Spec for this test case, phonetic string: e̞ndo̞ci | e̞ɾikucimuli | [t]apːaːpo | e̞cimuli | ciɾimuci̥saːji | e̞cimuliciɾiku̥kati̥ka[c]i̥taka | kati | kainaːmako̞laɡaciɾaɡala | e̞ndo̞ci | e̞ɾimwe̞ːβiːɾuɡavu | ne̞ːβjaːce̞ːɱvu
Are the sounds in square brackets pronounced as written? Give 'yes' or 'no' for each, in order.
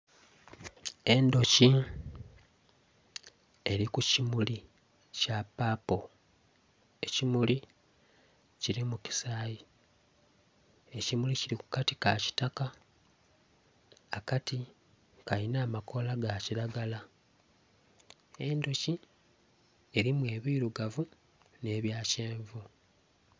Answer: no, yes

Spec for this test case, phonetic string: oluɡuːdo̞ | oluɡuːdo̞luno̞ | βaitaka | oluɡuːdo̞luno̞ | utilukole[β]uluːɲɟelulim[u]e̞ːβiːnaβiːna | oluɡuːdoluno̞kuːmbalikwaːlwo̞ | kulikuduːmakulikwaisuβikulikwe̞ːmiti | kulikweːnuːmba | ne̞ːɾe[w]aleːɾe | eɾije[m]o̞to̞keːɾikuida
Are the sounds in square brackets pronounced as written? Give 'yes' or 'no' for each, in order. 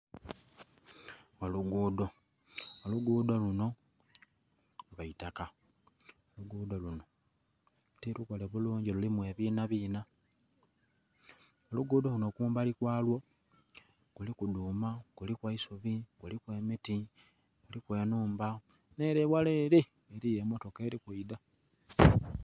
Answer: yes, no, yes, yes

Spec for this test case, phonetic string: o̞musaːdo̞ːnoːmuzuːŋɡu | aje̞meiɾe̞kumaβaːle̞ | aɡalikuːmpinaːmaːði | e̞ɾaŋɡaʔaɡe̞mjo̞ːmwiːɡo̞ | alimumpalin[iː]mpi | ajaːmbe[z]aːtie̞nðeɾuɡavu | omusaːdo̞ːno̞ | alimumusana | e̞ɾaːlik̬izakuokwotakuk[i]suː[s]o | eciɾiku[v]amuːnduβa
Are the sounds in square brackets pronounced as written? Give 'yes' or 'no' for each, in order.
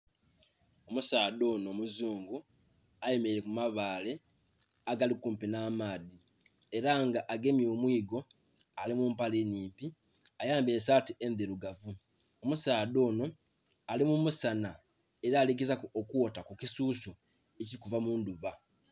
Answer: yes, no, yes, yes, yes

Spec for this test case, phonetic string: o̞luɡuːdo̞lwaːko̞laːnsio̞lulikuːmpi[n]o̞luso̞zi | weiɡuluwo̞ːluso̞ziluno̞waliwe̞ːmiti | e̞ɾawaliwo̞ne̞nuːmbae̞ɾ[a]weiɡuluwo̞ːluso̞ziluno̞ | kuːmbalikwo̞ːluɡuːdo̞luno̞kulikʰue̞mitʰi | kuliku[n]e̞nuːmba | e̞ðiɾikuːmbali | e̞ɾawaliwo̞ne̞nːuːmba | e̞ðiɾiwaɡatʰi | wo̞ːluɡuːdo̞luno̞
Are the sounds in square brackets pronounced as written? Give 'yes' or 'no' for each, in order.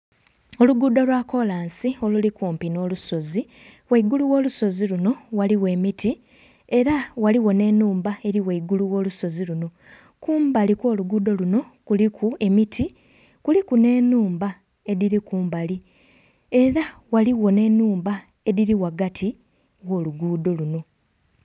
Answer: yes, no, yes

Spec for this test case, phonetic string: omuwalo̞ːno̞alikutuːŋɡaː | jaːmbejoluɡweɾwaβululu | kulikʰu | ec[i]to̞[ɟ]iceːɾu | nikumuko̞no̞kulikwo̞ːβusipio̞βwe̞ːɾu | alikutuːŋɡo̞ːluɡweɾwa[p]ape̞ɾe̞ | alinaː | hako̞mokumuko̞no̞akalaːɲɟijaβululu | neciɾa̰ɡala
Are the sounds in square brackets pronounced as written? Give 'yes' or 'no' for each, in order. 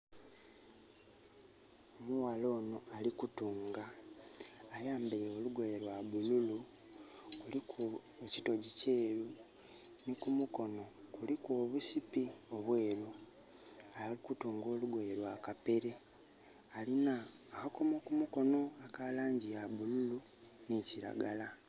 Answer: yes, yes, no

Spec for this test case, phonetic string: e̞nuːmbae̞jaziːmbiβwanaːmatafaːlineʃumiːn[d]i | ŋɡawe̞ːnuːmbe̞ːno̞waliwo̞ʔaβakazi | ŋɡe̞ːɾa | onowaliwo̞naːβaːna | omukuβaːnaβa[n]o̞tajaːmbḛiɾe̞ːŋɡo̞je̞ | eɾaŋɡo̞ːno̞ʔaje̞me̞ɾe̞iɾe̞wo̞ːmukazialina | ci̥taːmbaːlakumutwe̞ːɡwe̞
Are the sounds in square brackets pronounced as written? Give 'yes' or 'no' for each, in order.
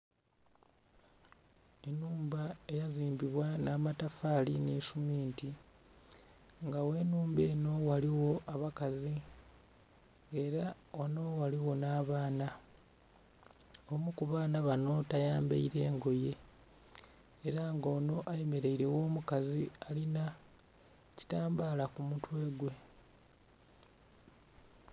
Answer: no, yes

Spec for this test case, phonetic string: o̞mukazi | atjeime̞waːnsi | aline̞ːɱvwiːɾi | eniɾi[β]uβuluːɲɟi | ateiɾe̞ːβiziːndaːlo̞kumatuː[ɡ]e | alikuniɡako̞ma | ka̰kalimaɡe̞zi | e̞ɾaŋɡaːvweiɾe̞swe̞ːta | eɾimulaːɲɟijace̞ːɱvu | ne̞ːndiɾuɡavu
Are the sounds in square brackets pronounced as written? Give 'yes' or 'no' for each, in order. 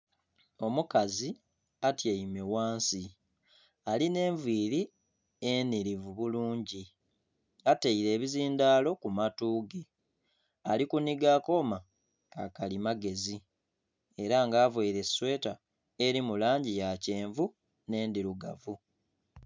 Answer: no, yes

